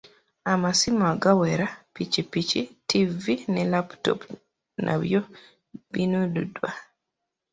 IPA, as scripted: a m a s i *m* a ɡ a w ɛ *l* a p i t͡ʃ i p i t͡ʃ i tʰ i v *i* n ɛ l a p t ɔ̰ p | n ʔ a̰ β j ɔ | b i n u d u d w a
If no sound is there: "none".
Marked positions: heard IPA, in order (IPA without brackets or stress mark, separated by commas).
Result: m, ɾ, i